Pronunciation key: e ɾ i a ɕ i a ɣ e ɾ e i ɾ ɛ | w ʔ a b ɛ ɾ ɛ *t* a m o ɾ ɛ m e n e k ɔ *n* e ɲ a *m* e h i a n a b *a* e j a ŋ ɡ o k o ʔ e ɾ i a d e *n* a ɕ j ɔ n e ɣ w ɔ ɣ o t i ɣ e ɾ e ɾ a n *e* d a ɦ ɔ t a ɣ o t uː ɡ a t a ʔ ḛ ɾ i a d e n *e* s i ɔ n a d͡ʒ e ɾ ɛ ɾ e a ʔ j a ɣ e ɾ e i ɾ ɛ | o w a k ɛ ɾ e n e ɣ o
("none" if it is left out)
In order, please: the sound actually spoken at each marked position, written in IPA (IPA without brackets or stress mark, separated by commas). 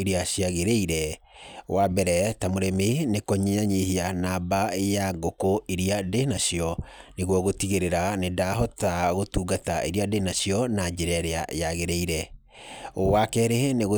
t, ɲ, ɲ, a, n, e, a